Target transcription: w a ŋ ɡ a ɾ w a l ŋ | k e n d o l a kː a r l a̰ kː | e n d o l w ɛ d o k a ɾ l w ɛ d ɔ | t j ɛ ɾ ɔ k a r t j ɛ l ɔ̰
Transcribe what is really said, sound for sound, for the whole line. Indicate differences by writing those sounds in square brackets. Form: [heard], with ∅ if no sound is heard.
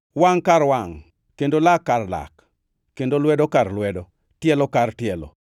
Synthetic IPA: w a ŋ [k] a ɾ w a [∅] ŋ | k e n d o l a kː a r l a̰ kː | e n d o l w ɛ d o k a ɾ l w ɛ d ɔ | t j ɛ [l] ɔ k a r t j ɛ l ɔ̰